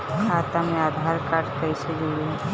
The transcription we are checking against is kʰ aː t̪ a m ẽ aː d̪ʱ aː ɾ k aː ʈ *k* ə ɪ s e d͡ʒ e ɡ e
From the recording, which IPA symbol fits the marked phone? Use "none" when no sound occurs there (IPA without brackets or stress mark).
k